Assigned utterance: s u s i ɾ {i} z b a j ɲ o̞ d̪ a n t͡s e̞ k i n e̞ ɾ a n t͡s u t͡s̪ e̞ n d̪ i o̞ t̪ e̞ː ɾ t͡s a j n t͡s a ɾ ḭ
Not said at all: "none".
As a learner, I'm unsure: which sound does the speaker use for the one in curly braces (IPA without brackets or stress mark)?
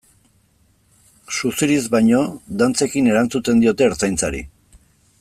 i